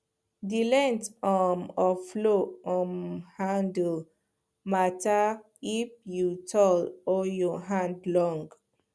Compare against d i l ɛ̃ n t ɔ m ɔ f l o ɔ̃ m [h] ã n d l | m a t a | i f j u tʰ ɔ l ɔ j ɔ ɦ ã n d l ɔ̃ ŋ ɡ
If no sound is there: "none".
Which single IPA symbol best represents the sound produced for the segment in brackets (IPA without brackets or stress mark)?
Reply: h